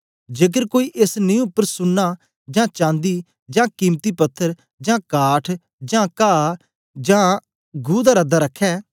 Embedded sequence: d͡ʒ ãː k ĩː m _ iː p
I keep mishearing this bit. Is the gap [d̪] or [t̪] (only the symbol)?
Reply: t̪